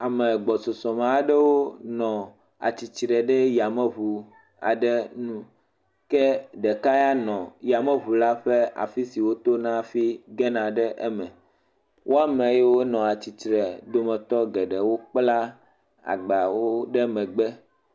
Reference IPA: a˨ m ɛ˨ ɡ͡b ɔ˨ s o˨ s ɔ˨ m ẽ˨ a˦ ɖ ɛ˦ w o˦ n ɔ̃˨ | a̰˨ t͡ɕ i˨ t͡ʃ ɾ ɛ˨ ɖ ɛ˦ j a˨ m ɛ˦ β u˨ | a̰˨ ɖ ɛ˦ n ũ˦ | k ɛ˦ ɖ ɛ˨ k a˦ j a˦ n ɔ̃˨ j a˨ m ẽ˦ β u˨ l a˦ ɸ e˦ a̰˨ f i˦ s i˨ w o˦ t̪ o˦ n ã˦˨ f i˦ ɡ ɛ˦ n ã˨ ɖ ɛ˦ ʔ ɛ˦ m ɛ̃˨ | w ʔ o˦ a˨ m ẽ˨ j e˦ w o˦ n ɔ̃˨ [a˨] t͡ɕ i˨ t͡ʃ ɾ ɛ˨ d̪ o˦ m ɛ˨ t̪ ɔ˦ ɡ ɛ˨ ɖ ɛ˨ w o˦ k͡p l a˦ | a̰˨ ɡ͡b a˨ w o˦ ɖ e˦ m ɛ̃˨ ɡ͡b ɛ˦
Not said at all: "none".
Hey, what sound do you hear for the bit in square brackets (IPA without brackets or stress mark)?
a˨